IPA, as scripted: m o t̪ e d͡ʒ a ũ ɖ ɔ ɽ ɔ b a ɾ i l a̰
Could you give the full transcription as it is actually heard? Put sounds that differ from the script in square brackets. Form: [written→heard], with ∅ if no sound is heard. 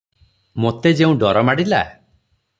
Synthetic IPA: m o t̪ e d͡ʒ [a→e] ũ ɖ ɔ [ɽ→ɾ] ɔ [b→m] a [ɾ→ɽ] i l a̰